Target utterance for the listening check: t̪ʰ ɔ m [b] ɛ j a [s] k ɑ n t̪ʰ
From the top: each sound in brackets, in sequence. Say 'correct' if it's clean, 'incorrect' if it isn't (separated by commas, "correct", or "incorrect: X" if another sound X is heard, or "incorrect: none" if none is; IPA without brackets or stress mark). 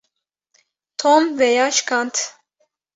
incorrect: v, incorrect: ʃ